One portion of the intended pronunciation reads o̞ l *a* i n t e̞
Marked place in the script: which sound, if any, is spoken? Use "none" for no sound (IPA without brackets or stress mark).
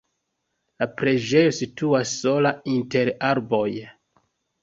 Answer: a